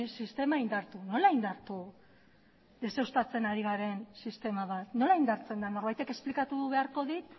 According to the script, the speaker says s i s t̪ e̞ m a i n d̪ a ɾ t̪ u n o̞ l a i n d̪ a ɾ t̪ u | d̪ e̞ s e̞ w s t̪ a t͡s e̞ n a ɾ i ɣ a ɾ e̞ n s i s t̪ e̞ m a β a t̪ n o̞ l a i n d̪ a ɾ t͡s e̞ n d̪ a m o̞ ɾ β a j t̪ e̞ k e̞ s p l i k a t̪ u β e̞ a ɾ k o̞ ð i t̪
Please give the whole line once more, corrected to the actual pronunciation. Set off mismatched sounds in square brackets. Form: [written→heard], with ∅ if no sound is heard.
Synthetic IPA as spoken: s i s t̪ e̞ m a i n d̪ a ɾ t̪ u n o̞ l a i n d̪ a ɾ t̪ u | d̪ e̞ s e̞ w s t̪ a t͡s e̞ n a ɾ i ɣ a ɾ e̞ n s i s t̪ e̞ m a β a t̪ n o̞ l a i n d̪ a ɾ t͡s e̞ n d̪ a [m→n] o̞ ɾ β a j t̪ e̞ k e̞ s p l i k a t̪ u β e̞ a ɾ k o̞ ð i t̪

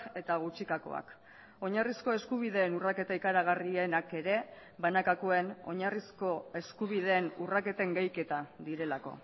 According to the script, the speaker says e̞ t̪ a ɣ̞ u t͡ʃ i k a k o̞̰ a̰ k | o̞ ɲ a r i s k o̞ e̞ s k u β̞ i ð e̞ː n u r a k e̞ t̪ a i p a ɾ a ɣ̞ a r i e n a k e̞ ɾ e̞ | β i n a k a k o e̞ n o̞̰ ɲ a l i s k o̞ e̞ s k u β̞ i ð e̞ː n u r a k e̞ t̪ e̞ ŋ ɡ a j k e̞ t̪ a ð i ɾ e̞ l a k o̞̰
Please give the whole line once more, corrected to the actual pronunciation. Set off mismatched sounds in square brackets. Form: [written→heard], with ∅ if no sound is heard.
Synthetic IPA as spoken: e̞ t̪ a ɣ̞ u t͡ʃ i k a k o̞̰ a̰ k | o̞ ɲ a r i s k o̞ e̞ s k u β̞ i ð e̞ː n u r a k e̞ t̪ a i [p→k] a ɾ a ɣ̞ a r i e n a k e̞ ɾ e̞ | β [i→a] n a k a k o e̞ n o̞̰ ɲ a [l→r] i s k o̞ e̞ s k u β̞ i ð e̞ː n u r a k e̞ t̪ e̞ ŋ ɡ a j k e̞ t̪ a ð i ɾ e̞ l a k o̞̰

